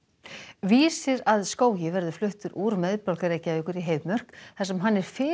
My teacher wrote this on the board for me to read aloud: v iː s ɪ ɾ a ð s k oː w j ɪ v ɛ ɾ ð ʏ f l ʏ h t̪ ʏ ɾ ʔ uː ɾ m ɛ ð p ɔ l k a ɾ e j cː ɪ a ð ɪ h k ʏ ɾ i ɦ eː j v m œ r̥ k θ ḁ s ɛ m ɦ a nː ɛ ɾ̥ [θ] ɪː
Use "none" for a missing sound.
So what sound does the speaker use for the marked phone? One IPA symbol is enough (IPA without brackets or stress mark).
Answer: f